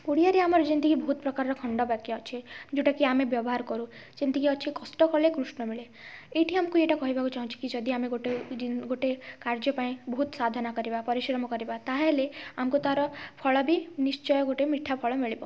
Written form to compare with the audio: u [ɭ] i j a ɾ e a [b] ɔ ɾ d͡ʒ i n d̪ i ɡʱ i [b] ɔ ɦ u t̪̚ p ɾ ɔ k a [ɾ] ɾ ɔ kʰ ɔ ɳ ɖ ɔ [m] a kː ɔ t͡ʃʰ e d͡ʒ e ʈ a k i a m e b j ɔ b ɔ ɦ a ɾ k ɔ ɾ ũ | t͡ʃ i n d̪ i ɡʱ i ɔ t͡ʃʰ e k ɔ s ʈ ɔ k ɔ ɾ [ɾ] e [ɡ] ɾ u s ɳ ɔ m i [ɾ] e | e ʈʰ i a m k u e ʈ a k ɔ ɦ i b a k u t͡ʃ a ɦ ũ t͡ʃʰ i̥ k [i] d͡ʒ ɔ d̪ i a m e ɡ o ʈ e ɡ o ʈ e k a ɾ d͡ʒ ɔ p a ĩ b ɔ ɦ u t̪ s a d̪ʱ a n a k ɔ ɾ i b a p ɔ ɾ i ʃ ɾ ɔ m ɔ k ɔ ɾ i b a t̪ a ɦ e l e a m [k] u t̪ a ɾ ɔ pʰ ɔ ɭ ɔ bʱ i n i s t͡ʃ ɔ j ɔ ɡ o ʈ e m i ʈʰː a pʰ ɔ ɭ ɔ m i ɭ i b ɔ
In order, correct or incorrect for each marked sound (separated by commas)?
incorrect, incorrect, correct, correct, incorrect, incorrect, incorrect, incorrect, correct, correct